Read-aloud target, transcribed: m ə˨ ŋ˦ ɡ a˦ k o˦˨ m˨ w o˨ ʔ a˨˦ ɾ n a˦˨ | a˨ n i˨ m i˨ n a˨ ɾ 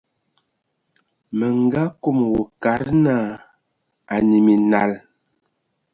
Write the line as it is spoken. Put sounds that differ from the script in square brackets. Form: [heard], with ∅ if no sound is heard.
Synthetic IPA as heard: m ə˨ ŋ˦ ɡ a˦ k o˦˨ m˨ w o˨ [k] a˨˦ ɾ n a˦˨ | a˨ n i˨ m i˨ n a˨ [l]